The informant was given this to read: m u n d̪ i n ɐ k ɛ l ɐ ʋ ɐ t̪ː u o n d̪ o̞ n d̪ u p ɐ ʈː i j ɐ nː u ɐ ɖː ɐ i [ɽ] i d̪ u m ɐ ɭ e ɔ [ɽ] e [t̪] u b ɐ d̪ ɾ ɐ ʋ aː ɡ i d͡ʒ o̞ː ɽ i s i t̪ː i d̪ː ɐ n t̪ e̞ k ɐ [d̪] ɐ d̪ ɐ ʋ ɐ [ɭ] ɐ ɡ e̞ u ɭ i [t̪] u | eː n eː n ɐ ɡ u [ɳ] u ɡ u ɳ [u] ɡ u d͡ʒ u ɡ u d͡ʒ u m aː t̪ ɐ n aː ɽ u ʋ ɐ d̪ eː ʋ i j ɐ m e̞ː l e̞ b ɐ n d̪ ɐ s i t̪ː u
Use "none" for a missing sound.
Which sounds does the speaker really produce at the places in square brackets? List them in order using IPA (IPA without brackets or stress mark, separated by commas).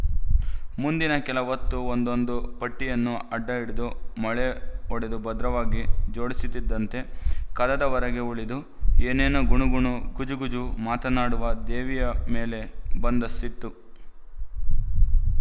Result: ɽ, ɽ, d̪, d̪, ɾ, d̪, ɳ, u